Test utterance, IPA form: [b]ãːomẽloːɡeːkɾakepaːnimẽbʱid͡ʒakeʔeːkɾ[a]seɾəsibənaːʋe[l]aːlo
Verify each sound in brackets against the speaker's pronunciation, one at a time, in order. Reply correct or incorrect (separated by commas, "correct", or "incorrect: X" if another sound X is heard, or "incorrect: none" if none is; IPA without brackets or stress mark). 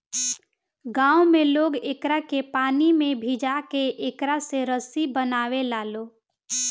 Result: incorrect: ɡ, correct, correct